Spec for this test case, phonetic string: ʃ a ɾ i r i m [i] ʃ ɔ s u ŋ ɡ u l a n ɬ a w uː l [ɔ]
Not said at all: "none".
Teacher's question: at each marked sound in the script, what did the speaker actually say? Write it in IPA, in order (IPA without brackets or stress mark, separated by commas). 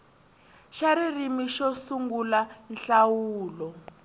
i, ɔ